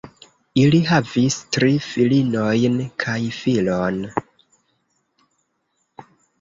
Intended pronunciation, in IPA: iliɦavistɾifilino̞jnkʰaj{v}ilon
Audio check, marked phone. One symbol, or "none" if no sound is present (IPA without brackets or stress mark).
f